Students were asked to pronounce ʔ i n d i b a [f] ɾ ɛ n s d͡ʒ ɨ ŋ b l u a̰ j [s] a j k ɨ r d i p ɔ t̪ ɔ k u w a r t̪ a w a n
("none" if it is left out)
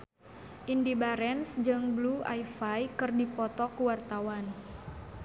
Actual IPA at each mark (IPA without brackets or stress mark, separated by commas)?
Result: none, f